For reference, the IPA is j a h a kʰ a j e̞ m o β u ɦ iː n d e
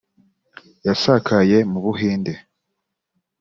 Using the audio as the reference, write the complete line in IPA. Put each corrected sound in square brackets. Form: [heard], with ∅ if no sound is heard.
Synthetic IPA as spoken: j a [s] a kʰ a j e̞ m [u] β u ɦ iː n d e